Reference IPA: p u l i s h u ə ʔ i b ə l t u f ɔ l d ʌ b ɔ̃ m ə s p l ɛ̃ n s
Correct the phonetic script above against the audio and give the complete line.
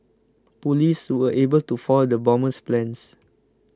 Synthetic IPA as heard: p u l i s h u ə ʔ e b ə l t u f ɔ l d ə b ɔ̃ m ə s p l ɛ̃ n s